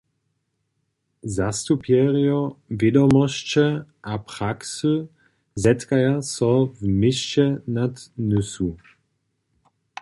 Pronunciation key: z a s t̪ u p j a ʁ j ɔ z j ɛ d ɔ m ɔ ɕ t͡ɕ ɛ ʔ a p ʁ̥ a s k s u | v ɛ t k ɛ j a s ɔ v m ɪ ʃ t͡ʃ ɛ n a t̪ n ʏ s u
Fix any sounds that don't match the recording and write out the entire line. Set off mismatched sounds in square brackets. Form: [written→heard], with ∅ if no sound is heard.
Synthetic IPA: z a s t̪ u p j [a→ɛ] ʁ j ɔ [z→v] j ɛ d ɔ m ɔ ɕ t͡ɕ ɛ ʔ a p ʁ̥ a [s→∅] k s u | [v→z] ɛ t k [ɛ→a] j a s ɔ v m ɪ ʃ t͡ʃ ɛ n a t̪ n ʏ s u